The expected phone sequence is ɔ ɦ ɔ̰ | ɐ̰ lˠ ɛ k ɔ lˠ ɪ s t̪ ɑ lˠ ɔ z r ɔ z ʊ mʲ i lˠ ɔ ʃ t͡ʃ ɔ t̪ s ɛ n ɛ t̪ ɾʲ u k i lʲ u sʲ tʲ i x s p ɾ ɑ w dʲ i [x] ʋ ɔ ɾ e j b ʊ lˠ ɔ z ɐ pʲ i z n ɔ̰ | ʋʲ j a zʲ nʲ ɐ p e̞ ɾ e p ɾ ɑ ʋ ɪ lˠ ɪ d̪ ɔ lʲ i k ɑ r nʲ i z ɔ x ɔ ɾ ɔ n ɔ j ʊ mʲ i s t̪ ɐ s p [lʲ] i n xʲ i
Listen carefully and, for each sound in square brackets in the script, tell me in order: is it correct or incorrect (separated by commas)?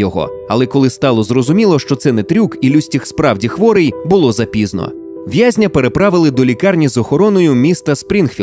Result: correct, incorrect